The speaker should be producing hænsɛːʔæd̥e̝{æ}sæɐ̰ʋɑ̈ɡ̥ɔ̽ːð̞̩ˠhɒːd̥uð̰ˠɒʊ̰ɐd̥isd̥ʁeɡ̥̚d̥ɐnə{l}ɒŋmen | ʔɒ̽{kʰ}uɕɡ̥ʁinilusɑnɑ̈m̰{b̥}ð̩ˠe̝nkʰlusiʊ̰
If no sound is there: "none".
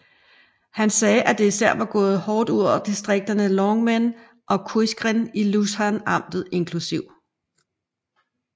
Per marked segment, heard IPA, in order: i, l, kʰ, d̥

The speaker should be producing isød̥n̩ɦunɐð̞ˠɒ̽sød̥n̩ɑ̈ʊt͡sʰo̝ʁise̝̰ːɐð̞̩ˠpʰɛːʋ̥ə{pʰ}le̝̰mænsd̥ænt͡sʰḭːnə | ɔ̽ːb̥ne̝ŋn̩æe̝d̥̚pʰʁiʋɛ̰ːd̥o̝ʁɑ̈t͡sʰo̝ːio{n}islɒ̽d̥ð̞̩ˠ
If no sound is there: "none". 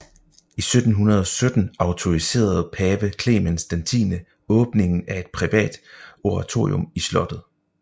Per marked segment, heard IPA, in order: kʰ, m

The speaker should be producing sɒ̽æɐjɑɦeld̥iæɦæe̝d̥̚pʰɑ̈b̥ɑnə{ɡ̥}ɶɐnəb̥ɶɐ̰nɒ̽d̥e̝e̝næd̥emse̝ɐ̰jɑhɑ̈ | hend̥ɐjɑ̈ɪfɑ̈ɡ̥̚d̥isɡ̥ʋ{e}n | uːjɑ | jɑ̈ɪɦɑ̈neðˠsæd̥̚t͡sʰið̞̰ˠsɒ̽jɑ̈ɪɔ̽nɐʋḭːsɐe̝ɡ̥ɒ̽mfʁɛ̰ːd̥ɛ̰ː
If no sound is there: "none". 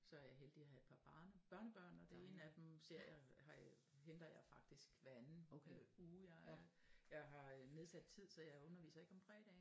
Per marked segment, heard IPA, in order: b̥, æ

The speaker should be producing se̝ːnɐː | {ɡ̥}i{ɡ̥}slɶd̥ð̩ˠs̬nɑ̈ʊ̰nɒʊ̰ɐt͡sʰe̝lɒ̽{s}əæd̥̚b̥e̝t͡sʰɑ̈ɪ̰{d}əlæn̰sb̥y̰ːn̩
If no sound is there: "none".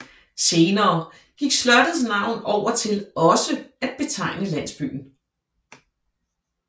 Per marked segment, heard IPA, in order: ɡ̥, ɡ̥, s, n

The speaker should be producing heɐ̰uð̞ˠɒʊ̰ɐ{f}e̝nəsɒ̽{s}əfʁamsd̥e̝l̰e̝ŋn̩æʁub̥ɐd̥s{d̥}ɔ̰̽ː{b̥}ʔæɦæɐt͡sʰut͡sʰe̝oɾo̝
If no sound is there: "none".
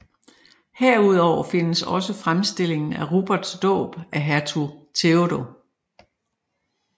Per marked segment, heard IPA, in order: f, s, d̥, b̥

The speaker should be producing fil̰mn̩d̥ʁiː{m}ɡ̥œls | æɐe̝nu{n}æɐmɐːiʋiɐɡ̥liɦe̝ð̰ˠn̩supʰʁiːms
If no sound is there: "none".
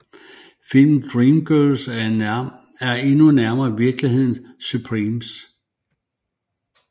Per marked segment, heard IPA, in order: m, n

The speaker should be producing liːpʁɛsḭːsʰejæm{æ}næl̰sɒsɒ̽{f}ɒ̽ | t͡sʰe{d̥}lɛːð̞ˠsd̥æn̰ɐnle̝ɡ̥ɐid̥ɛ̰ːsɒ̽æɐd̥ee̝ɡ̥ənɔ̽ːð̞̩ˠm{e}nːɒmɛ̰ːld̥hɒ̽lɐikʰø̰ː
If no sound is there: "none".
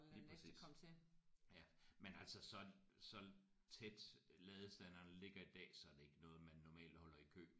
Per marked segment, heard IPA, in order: e, s, d̥, æ

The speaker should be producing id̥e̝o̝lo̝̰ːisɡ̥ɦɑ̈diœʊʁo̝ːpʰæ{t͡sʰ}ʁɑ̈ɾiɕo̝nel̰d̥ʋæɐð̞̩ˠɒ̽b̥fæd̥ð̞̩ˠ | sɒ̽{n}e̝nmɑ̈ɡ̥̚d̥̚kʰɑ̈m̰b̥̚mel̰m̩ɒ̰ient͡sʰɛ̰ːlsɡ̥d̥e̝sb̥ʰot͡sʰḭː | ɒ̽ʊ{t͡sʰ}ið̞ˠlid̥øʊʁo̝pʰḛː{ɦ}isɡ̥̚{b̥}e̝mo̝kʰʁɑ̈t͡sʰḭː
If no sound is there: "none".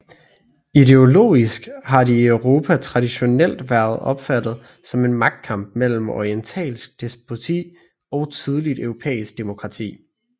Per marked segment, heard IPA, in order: t͡sʰ, m, t͡sʰ, none, d̥

